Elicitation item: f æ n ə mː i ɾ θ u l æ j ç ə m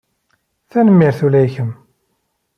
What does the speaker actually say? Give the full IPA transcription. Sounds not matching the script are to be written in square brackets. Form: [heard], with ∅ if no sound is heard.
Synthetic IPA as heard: [θ] æ n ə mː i ɾ θ u l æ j ç ə m